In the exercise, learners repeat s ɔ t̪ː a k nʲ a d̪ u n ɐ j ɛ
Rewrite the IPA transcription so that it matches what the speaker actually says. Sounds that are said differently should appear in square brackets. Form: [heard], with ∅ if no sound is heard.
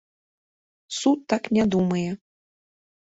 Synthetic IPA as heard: s [u] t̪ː a k nʲ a d̪ u [m] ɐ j ɛ